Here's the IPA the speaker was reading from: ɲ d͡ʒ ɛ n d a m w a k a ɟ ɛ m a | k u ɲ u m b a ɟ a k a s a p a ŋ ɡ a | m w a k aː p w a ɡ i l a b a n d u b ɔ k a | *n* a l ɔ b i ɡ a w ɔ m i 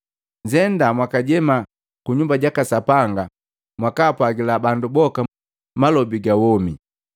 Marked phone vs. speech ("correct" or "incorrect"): incorrect